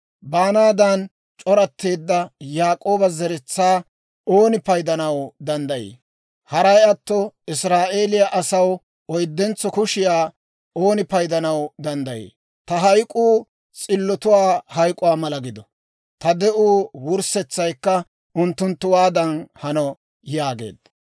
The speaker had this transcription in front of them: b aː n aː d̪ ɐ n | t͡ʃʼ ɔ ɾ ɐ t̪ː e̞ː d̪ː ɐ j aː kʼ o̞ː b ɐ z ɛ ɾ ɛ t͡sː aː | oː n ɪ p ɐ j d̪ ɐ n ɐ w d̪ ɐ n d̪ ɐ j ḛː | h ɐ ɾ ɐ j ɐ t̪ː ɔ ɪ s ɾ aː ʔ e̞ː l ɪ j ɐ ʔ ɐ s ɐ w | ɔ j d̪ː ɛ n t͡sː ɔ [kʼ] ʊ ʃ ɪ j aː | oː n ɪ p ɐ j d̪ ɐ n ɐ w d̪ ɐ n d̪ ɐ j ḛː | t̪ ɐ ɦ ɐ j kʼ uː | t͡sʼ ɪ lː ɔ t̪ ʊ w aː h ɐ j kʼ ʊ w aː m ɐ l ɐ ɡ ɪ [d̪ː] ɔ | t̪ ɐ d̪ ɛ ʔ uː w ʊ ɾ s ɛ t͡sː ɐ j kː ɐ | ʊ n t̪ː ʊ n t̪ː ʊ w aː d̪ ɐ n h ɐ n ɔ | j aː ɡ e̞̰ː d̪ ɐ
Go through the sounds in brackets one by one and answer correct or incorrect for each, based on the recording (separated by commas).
incorrect, incorrect